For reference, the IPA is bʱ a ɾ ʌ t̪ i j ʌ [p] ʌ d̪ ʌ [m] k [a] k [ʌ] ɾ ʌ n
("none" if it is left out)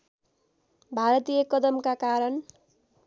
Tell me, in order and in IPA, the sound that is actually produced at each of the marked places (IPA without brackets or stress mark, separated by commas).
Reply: k, m, a, a